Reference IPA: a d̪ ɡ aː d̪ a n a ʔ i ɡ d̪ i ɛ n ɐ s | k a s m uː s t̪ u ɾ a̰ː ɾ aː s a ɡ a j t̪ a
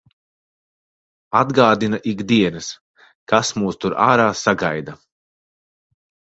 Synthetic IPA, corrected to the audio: a d̪ ɡ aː d̪ i n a ʔ i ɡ d̪ i ɛ n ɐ s | k a s m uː s t̪ u ɾ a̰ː ɾ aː s a ɡ a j d̪ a